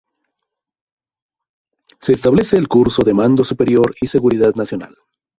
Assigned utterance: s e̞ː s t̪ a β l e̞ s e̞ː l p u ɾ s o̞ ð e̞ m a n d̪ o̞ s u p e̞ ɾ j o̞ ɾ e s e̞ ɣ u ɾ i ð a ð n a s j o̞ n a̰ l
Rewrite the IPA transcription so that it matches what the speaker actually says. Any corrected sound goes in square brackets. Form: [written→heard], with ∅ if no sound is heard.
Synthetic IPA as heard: s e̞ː s t̪ a β l e̞ s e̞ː l [p→k] u ɾ s o̞ ð e̞ m a n d̪ o̞ s u p e̞ ɾ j o̞ ɾ [e→i] s e̞ ɣ u ɾ i ð a ð n a s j o̞ n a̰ l

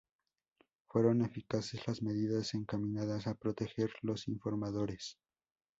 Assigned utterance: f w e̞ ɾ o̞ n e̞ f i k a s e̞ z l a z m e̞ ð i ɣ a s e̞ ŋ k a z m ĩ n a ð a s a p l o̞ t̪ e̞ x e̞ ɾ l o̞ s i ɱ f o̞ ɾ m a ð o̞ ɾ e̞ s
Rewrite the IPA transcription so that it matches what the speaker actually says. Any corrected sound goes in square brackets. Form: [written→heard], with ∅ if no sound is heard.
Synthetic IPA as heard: f w e̞ ɾ o̞ n e̞ f i k a s e̞ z l a z m e̞ ð i [ɣ→ð] a s e̞ ŋ k a [z→∅] m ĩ n a ð a s a p [l→ɾ] o̞ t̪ e̞ x e̞ ɾ l o̞ s i ɱ f o̞ ɾ m a ð o̞ ɾ e̞ s

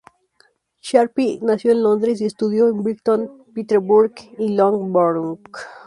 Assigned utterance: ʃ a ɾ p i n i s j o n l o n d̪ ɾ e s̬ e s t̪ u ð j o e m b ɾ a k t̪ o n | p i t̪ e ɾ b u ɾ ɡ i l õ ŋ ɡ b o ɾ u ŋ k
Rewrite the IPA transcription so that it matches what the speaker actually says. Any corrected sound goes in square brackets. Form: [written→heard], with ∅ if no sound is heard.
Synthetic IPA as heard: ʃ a ɾ p i n [i→a] s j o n l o n d̪ ɾ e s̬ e s t̪ u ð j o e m b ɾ [a→i] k t̪ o n | p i t̪ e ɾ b u ɾ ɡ i l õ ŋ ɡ b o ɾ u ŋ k

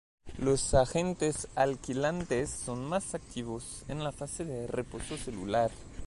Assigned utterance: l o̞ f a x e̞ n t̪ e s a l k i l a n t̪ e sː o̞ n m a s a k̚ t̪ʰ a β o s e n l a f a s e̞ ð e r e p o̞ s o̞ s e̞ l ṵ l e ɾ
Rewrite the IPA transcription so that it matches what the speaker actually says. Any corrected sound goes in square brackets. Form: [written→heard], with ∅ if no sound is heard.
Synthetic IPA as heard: l o̞ [f→s] a x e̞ n t̪ e s a l k i l a n t̪ e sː o̞ n m a s a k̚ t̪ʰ [a→i] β o s e n l a f a s e̞ ð e r e p o̞ s o̞ s e̞ l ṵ l [e→a] ɾ

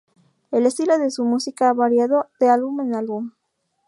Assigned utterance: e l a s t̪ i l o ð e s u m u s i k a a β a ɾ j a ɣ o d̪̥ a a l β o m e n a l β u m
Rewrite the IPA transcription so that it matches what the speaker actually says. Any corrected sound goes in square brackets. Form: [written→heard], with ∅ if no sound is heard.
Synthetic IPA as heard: e l [a→e] s t̪ i l o ð e s u m u s i k a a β a ɾ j a [ɣ→ð] o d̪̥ [a→e] a l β [o→u] m e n a l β u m

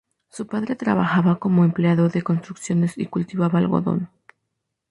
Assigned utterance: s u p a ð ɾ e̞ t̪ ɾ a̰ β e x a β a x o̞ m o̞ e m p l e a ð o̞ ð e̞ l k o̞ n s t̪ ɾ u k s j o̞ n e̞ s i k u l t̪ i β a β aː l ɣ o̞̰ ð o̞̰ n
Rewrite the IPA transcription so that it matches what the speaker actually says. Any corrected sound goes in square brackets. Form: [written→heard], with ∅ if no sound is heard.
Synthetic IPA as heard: s u p a ð ɾ e̞ t̪ ɾ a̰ β [e→a] x a β a [x→k] o̞ m o̞ e m p l e a ð o̞ ð e̞ [l→∅] k o̞ n s t̪ ɾ u k s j o̞ n e̞ s i k u l t̪ i β a β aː l ɣ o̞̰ ð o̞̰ n

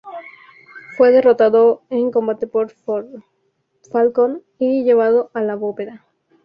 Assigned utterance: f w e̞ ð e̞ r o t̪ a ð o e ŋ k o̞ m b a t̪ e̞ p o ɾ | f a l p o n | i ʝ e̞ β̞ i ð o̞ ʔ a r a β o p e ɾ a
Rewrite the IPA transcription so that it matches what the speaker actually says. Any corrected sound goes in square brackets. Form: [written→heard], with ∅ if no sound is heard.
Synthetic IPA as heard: f w e̞ ð e̞ r o t̪ a ð o e ŋ k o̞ m b a t̪ e̞ p o ɾ | f a l [p→k] o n | i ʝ e̞ β̞ [i→a] ð o̞ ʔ a [r→l] a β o p e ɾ a

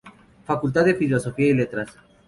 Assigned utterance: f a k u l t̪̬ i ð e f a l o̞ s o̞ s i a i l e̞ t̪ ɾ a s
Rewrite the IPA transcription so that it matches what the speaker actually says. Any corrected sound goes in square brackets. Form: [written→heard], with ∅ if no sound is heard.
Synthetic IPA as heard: f a k u l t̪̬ [i→a] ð e f [a→i] l o̞ s o̞ [s→f] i a i l e̞ t̪ ɾ a s

